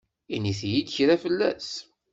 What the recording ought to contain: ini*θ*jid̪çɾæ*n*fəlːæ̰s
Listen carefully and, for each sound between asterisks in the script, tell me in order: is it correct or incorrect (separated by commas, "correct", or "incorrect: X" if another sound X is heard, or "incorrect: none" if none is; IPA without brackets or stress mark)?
correct, incorrect: none